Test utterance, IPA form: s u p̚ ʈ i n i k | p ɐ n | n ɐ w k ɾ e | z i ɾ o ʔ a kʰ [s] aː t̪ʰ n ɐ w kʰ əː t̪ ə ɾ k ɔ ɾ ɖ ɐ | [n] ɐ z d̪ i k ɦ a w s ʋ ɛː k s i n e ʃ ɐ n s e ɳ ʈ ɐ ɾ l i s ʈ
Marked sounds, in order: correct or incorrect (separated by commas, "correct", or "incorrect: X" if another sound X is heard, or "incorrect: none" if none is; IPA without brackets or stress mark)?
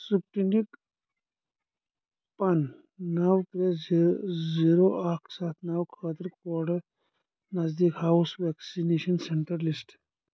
correct, correct